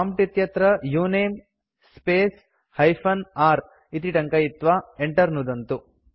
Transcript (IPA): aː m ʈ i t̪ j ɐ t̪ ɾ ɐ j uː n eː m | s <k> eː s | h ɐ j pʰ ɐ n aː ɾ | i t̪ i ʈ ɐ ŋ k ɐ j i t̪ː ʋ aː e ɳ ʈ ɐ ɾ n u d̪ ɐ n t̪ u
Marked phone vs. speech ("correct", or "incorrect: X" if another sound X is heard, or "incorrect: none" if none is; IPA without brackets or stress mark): incorrect: p